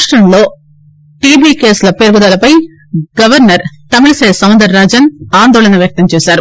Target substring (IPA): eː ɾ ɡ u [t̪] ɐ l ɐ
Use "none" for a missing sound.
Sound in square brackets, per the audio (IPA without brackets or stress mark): d̪